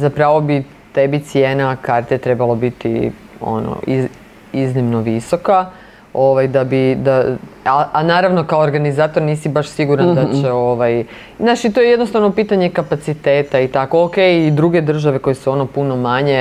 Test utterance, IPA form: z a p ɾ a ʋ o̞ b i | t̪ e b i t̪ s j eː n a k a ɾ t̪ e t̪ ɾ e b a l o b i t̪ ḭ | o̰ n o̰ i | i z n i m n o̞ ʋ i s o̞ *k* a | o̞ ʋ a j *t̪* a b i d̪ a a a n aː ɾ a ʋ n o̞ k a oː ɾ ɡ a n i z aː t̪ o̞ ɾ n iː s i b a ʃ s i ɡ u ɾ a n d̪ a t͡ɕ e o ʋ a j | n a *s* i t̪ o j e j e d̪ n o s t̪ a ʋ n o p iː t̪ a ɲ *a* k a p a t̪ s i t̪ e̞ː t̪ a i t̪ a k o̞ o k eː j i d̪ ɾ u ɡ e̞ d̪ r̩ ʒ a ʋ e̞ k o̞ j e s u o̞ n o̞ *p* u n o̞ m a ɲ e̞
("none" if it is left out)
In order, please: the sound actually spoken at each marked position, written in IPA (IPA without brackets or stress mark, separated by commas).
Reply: k, d̪, ʃ, e, p